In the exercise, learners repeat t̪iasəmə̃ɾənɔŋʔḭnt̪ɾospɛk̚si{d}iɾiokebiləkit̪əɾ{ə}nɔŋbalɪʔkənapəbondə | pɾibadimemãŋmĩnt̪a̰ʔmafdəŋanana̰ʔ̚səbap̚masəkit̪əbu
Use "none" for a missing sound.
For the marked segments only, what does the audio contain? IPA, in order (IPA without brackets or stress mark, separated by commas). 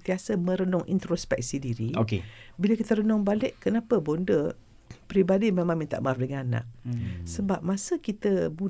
d, ə